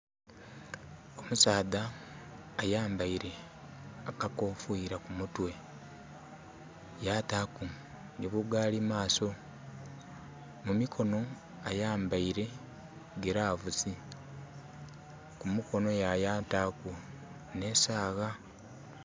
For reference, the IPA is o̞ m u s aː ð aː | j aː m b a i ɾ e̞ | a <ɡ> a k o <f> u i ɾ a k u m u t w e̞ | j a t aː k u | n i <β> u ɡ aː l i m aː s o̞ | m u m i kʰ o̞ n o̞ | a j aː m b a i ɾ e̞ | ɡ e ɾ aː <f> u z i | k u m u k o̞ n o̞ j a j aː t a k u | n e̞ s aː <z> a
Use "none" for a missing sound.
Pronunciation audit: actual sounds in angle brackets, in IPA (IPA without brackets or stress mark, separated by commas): k, f, β, v, ɣ